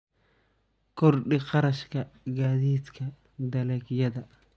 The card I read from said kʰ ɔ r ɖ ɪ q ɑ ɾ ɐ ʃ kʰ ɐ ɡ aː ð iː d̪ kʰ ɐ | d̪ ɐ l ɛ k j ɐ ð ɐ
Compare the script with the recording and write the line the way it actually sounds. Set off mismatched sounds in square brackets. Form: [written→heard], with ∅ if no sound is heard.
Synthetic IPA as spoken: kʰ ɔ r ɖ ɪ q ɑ ɾ ɐ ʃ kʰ ɐ ɡ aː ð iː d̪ kʰ ɐ | d̪ ɐ l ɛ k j ɐ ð ɐ